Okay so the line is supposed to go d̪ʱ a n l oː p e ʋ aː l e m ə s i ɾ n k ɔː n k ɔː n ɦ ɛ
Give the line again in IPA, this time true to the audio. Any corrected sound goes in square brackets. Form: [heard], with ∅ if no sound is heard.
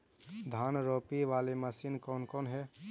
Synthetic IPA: d̪ʱ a n [ɾ] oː p [i] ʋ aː l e m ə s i [∅] n k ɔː n k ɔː n ɦ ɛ